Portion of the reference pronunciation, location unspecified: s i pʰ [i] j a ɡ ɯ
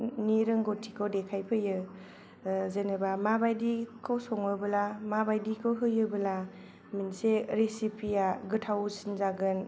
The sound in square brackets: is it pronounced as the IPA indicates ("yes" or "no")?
yes